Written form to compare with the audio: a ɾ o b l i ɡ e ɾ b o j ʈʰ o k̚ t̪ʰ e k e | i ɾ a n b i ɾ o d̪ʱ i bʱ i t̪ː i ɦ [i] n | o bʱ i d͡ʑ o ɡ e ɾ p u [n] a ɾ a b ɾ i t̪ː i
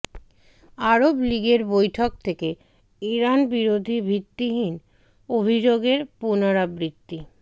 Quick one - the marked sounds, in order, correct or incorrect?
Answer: correct, correct

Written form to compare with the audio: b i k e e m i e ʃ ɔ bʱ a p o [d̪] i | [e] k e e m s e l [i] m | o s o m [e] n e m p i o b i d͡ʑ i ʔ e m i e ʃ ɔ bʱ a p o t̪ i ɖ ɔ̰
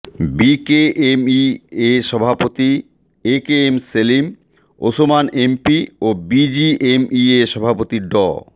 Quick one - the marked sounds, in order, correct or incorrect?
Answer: incorrect: t̪, correct, correct, incorrect: a

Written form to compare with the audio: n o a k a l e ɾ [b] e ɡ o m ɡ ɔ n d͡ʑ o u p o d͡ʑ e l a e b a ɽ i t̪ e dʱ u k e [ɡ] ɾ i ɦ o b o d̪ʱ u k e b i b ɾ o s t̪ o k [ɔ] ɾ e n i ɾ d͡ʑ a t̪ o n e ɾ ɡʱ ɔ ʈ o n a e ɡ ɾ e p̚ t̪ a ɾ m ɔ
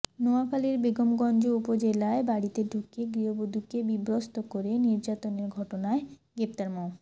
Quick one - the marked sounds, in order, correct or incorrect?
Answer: correct, correct, incorrect: o

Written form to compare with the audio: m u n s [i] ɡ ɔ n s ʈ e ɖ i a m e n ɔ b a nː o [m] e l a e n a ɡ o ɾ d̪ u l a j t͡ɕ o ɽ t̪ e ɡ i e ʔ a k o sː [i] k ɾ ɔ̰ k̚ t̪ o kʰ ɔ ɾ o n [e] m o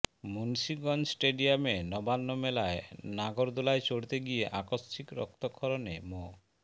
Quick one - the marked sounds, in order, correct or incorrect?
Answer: correct, correct, correct, correct

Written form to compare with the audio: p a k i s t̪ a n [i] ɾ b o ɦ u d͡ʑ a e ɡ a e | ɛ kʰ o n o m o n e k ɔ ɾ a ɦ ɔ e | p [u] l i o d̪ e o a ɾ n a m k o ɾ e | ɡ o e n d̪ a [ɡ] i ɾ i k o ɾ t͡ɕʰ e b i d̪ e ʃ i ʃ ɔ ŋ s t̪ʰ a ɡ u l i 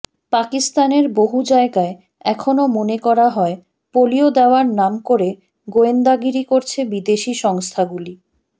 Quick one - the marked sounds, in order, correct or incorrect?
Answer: incorrect: e, incorrect: o, correct

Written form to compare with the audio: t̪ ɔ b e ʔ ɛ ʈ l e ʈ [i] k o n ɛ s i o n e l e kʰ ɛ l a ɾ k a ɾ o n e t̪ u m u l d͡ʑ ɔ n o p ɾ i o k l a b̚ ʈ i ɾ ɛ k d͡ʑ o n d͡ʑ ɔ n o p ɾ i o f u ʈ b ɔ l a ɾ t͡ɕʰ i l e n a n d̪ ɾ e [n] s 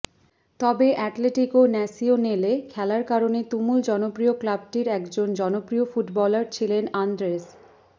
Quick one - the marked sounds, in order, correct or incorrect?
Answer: correct, incorrect: none

